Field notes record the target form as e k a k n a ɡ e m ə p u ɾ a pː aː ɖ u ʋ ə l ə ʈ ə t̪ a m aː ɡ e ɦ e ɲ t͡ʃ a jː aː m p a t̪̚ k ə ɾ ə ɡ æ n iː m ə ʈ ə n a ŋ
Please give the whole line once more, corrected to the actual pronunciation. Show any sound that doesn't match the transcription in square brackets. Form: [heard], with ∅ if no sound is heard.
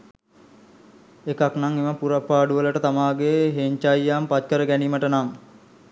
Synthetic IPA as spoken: e k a k n a [ŋ] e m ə p u ɾ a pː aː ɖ u ʋ ə l ə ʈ ə t̪ a m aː ɡ e ɦ e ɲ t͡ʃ a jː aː m p a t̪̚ k ə ɾ ə ɡ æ n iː m ə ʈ ə n a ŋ